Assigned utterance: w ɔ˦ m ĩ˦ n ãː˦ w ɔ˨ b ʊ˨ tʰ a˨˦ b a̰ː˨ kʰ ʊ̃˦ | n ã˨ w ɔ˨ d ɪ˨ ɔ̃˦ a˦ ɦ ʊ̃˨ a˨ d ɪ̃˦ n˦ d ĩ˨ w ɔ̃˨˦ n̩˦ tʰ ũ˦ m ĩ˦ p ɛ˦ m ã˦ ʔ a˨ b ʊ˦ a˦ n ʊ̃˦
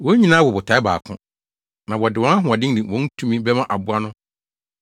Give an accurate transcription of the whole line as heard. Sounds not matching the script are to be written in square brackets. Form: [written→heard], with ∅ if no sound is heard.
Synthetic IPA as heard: w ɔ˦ [m→ɲ] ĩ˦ n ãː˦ w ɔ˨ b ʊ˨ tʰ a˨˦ b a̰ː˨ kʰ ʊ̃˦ | n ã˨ w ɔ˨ d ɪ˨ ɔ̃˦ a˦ ɦ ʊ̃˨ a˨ d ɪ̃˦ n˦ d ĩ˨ w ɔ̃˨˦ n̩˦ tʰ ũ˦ m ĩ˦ [p→b] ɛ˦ m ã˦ ʔ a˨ b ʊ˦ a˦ n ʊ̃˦